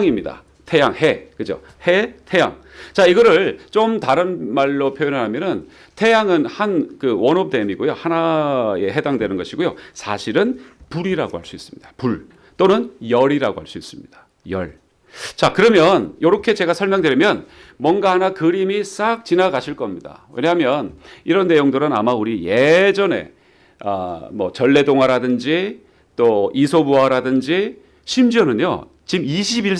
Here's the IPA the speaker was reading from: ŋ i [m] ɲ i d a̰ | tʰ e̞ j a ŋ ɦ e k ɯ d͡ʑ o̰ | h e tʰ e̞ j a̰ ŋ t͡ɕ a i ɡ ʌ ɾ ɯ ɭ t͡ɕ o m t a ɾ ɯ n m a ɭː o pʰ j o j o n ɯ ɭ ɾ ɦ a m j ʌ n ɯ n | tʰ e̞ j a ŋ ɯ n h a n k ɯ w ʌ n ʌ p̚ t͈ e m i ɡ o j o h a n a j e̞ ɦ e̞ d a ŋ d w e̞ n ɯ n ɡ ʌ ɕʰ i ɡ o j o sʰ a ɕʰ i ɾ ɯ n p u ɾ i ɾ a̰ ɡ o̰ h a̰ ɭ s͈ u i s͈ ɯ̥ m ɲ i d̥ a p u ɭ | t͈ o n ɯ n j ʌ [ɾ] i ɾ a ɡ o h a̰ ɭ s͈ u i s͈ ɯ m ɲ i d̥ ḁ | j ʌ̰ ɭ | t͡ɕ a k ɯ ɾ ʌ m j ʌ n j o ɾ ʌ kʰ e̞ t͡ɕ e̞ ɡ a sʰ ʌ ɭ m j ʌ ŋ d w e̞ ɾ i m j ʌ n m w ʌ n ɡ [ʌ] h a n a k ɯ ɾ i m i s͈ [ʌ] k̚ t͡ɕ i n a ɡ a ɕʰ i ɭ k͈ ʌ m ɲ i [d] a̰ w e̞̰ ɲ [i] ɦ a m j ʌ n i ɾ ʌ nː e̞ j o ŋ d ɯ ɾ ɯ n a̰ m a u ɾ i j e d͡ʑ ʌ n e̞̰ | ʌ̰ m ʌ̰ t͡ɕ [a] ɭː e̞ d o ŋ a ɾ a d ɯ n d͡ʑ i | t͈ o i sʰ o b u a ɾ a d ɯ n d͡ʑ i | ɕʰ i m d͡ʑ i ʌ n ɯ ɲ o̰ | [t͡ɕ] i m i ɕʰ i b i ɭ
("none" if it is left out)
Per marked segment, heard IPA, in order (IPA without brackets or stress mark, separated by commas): m, ɾ, a, a, d, a, ʌ, t͡ɕ